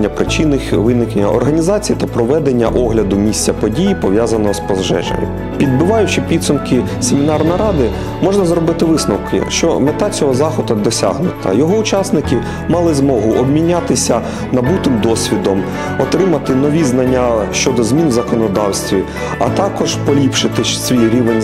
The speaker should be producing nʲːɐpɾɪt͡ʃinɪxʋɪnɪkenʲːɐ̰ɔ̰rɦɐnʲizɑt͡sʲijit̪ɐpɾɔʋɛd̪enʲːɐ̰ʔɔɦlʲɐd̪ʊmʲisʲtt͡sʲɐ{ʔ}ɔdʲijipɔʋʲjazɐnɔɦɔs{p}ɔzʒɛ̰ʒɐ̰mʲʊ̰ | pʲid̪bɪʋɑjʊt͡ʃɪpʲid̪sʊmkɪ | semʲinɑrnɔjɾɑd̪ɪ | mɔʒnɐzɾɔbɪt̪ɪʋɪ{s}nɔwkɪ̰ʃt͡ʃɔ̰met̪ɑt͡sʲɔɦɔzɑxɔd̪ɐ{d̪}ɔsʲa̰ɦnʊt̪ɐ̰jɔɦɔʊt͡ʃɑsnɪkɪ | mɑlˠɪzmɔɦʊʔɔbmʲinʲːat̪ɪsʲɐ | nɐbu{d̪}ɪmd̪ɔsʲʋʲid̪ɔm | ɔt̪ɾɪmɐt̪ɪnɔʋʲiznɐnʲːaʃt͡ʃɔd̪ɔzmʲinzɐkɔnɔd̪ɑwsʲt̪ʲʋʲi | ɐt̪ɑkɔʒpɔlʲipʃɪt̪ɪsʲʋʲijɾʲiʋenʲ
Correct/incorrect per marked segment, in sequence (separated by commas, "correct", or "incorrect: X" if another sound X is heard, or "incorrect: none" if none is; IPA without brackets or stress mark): incorrect: p, correct, correct, correct, incorrect: t̪